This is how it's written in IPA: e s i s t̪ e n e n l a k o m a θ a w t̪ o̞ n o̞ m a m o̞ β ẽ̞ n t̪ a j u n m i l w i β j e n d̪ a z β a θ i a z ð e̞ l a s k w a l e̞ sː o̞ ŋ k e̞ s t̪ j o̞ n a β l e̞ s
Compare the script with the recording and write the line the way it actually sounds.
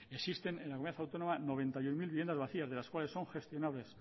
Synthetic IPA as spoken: e s i s t̪ e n e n l a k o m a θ a w t̪ o̞ n o̞ m a n o̞ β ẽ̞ n t̪ a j u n m i l β i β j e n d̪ a z β a θ i a z ð e̞ l a s k w a l e̞ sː o̞ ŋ x e̞ s t̪ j o̞ n a β l e̞ s